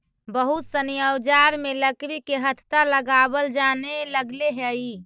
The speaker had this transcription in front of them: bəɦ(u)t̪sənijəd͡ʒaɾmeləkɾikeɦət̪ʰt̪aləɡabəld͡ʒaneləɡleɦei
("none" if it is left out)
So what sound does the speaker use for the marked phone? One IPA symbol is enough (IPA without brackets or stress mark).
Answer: u